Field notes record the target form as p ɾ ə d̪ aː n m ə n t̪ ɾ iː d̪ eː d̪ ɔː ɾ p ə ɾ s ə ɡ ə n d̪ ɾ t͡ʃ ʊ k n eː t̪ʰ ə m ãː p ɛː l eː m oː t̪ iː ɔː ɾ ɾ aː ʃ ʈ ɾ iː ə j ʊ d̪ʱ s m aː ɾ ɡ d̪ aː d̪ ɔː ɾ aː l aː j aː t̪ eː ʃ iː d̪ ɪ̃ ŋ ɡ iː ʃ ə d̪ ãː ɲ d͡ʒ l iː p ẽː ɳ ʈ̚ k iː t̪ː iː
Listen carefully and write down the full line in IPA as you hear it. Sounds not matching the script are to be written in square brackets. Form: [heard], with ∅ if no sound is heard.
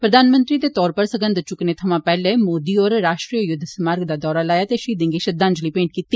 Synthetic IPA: p ɾ ə d̪ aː n m ə n t̪ ɾ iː d̪ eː [t̪] ɔː ɾ p ə ɾ s ə ɡ ə n d̪ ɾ t͡ʃ ʊ k n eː t̪ʰ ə m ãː p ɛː l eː m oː [d̪] iː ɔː ɾ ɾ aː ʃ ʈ ɾ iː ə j ʊ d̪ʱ s m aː ɾ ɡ d̪ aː d̪ ɔː ɾ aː l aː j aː t̪ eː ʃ iː d̪ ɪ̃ ŋ ɡ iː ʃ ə d̪ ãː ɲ d͡ʒ l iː p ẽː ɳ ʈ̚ k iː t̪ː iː

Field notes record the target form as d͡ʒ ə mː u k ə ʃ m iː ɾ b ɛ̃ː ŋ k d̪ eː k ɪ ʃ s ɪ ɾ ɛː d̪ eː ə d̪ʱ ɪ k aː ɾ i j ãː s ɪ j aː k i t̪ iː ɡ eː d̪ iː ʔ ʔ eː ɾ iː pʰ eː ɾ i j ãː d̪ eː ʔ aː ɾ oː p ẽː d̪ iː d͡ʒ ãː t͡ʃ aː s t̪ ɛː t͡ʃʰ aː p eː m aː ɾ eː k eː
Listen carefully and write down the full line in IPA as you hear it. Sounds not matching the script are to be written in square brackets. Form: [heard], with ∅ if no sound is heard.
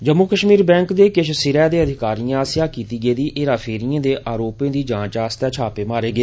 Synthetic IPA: d͡ʒ ə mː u k ə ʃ m iː ɾ b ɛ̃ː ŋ k d̪ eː k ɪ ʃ s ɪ ɾ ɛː d̪ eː ə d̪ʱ ɪ k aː ɾ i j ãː s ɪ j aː k [iː] t̪ iː ɡ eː d̪ iː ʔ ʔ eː ɾ [aː] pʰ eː ɾ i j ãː d̪ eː ʔ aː ɾ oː p ẽː d̪ iː d͡ʒ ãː t͡ʃ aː s t̪ ɛː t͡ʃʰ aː p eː m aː ɾ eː [ɡ] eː

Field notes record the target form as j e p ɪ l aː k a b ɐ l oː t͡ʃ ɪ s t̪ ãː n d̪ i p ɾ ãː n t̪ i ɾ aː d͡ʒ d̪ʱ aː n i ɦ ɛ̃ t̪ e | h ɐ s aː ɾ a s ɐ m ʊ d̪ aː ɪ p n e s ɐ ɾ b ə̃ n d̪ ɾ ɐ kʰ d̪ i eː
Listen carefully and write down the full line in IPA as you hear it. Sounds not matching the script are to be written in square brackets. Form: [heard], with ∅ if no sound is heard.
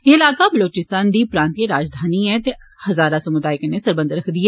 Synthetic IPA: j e [∅] ɪ l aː k a b ɐ l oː t͡ʃ ɪ s t̪ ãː n d̪ i p ɾ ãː n t̪ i ɾ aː d͡ʒ d̪ʱ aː n i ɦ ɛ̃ t̪ e | h ɐ [z] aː ɾ a s ɐ m ʊ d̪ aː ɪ [k] n e s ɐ ɾ b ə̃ n d̪ ɾ ɐ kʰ d̪ i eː

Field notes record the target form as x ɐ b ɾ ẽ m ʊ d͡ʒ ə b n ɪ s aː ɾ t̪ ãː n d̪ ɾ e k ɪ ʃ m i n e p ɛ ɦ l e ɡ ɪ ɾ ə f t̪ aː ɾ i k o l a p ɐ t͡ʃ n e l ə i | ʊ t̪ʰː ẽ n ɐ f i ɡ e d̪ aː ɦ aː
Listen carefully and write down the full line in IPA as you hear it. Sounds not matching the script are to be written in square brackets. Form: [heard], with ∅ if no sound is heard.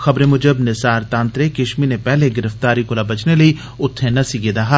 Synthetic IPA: x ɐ b ɾ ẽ m ʊ d͡ʒ ə b n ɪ s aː ɾ t̪ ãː n [t̪] ɾ e k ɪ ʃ m i n e p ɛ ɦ l e ɡ ɪ ɾ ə f t̪ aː ɾ i k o l a [b] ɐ t͡ʃ n e l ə i | ʊ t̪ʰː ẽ n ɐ [s] i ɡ e d̪ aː ɦ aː

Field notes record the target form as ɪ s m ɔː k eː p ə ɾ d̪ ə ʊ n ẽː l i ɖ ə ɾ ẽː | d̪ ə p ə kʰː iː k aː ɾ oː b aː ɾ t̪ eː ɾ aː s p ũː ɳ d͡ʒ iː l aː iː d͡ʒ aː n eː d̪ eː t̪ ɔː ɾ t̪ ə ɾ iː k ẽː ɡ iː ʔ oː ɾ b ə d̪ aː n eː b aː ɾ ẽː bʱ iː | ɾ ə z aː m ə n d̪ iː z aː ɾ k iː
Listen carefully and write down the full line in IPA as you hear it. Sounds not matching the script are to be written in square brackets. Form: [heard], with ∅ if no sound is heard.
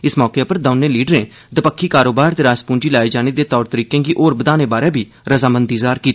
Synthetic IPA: ɪ s m ɔː k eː p ə ɾ d̪ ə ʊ n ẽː l [iː] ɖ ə ɾ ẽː | d̪ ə p ə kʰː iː k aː ɾ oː b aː ɾ t̪ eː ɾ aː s p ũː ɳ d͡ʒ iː l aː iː d͡ʒ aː n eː d̪ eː t̪ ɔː ɾ t̪ ə ɾ iː k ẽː ɡ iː ʔ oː ɾ b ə d̪ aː n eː b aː ɾ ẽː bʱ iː | ɾ ə z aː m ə n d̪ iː z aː ɾ k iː

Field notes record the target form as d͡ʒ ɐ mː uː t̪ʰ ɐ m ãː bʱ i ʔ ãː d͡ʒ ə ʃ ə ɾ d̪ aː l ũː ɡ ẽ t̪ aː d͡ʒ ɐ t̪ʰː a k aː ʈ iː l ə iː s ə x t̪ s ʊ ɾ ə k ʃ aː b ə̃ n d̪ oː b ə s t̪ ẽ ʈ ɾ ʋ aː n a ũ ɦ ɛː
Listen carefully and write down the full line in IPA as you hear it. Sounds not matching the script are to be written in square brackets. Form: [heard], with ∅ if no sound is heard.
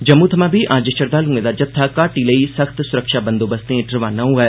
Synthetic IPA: d͡ʒ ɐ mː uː t̪ʰ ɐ m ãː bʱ i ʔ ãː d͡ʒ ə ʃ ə ɾ d̪ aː l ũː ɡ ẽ [d̪] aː d͡ʒ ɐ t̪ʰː a k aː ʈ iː l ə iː s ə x t̪ s ʊ ɾ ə k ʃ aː b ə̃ n d̪ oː b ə s t̪ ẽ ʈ ɾ ʋ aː n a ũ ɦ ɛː

